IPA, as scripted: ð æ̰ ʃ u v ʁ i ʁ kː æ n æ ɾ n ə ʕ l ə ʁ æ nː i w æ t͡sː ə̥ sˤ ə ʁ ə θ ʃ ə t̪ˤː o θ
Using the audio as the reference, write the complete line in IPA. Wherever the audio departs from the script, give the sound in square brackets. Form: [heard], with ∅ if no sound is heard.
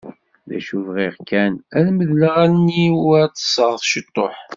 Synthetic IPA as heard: ð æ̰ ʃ u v ʁ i ʁ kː æ n æ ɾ [m] ə [ð] l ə ʁ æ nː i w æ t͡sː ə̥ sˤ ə ʁ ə θ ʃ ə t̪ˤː o [ħ]